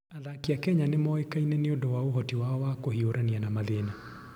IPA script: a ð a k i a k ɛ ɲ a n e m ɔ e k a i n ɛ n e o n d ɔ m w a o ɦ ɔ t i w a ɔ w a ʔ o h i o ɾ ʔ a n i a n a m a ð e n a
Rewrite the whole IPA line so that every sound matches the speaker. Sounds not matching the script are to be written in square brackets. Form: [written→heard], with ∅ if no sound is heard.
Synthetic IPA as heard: a ð a k i a k ɛ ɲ a n e m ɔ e k a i n ɛ n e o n d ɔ [m→∅] w a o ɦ ɔ t i w a ɔ w a [ʔ→k] o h i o ɾ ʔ a n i a n a m a ð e n a

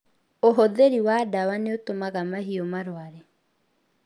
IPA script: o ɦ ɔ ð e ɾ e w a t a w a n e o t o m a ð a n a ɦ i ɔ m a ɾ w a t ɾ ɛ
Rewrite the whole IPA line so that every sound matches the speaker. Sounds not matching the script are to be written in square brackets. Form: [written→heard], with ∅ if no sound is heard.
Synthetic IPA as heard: o ɦ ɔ ð e ɾ [e→i] w a [t→d] a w a n e o t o m a [ð→ɣ] a [n→m] a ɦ i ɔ m a ɾ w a [t→∅] ɾ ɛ

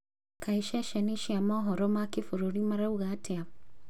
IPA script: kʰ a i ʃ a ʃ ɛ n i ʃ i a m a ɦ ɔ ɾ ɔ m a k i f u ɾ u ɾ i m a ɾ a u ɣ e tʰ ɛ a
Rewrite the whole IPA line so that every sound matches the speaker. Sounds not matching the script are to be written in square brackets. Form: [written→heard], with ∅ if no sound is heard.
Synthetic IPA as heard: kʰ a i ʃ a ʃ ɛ n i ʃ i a m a ɦ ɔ ɾ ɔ m a k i f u ɾ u ɾ i m a ɾ a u ɣ [e→a] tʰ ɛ a

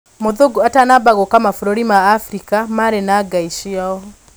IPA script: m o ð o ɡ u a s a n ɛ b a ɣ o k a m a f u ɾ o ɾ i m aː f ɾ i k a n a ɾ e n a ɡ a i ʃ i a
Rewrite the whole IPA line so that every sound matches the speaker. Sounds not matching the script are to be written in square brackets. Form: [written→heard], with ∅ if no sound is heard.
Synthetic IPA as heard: m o ð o ɡ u a [s→t] a n [ɛ→a] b a ɣ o k a m a f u ɾ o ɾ i m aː f ɾ i k a [n→m] a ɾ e n a ɡ a i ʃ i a

